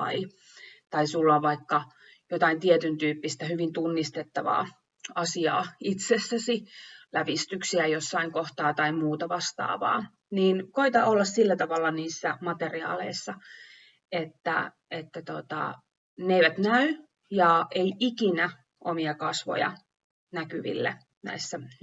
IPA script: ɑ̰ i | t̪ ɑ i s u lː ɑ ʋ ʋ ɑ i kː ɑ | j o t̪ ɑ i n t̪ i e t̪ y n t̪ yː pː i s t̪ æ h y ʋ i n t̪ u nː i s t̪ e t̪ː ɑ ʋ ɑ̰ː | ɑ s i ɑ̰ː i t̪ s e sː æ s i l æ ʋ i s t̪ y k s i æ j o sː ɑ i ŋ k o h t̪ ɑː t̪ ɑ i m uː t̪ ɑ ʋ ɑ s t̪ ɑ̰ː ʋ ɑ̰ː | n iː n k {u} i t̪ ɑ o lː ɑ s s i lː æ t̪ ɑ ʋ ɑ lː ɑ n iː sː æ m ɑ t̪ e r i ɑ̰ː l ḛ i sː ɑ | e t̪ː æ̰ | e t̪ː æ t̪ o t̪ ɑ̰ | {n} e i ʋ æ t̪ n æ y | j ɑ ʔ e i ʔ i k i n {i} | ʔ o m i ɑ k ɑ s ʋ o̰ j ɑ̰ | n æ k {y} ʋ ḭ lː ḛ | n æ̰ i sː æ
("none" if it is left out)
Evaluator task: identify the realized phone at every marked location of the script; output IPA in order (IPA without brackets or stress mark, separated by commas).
o, n, æ, y